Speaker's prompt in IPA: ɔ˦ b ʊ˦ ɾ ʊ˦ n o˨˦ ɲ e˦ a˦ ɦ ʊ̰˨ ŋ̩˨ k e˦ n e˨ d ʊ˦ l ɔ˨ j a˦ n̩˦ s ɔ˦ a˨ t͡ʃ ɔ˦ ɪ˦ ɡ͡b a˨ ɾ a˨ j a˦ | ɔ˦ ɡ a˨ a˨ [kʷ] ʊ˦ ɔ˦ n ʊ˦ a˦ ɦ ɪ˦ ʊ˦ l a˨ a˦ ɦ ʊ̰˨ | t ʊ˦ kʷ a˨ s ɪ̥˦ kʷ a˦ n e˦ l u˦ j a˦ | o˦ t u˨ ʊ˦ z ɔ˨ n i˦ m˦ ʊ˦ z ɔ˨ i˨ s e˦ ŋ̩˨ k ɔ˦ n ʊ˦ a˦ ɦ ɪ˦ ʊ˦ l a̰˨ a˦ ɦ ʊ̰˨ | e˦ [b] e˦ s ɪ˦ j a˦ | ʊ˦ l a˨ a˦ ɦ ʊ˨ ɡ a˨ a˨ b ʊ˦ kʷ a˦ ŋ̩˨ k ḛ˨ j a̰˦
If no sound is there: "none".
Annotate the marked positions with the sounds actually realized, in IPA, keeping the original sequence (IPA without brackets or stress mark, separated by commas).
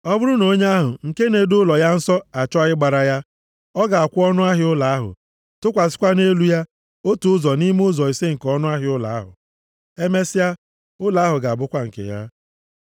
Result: kʷ, m